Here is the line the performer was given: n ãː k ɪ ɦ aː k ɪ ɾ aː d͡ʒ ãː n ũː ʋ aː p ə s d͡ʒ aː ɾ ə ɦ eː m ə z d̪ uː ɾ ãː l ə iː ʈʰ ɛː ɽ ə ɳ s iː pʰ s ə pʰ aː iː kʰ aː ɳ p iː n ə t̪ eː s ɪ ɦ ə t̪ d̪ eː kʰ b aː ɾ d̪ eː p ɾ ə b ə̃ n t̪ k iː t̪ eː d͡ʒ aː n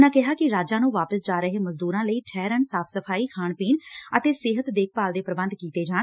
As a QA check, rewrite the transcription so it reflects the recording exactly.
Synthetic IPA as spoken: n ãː k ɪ ɦ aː k ɪ ɾ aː d͡ʒ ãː n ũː ʋ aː p ə s d͡ʒ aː ɾ ə ɦ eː m ə z d̪ uː ɾ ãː l ə iː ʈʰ ɛː ɾ ə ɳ s aː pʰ s ə pʰ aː iː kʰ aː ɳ p iː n ə t̪ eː s ɪ ɦ ə t̪ d̪ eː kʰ p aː l d̪ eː p ɾ ə b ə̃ n d̪ k iː t̪ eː d͡ʒ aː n